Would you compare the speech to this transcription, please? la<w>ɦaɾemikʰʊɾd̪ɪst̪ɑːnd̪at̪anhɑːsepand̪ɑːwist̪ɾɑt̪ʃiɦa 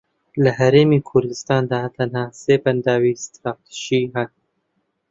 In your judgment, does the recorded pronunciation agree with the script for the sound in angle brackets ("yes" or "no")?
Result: no